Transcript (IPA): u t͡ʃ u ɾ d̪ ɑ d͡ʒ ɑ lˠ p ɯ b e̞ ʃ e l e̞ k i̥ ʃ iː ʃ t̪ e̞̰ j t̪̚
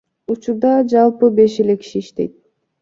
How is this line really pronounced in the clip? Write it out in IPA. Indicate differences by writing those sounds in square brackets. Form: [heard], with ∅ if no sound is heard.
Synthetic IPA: u t͡ʃ u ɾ d̪ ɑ d͡ʒ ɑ lˠ p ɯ b e̞ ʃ e l e̞ k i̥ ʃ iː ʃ t̪ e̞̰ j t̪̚